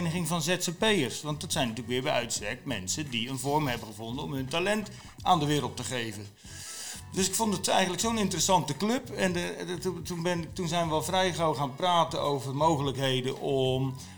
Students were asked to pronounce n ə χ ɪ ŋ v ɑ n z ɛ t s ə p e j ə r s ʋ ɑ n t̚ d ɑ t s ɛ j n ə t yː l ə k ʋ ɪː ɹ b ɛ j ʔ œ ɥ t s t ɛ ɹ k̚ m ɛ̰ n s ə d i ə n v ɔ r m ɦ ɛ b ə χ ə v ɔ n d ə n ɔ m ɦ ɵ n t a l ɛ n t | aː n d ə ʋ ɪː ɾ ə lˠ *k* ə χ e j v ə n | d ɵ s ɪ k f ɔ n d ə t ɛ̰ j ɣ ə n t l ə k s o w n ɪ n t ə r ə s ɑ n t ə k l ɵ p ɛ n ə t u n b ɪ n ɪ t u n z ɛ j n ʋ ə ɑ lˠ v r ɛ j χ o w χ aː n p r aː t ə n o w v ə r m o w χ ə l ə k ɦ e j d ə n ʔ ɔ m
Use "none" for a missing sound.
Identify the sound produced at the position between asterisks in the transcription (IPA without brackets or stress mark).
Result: t